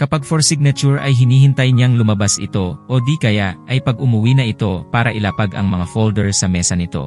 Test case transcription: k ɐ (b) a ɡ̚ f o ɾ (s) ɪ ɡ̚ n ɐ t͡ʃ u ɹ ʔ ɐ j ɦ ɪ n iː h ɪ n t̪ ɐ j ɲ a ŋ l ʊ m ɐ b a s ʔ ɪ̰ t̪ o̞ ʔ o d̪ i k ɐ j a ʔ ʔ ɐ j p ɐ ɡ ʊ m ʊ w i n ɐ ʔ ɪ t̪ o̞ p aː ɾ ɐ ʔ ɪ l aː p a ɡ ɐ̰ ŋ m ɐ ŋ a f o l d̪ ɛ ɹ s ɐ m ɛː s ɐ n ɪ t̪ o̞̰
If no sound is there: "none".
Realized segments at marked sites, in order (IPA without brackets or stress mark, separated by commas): p, s